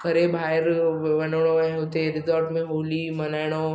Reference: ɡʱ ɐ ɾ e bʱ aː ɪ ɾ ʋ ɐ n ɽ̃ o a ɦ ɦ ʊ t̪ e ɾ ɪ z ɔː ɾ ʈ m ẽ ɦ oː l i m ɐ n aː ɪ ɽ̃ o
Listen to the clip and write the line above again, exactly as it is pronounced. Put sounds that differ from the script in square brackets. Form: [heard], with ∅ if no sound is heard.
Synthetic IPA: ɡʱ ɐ ɾ e bʱ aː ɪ ɾ ʋ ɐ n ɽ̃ o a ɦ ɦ ʊ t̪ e ɾ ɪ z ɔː ɾ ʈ m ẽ ɦ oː l i m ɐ n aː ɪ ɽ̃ o